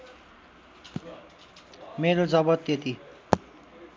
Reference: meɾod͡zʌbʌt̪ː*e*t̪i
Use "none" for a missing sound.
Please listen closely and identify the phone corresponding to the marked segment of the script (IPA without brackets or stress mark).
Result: e